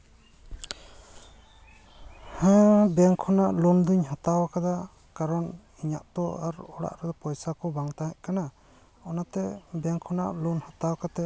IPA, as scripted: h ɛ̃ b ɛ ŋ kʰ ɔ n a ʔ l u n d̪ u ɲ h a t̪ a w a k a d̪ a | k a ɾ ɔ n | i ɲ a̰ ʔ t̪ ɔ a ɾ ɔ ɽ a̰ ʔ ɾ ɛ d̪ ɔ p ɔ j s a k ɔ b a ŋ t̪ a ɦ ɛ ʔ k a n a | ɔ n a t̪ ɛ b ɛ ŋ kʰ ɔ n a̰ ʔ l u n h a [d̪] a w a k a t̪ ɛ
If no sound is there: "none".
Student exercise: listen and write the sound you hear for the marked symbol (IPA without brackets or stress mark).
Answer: t̪